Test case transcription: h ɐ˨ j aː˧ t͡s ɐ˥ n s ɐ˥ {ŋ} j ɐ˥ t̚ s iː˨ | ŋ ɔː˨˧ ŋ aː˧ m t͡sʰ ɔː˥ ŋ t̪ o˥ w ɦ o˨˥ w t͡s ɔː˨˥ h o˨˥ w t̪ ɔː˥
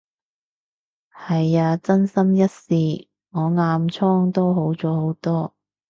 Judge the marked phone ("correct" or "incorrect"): incorrect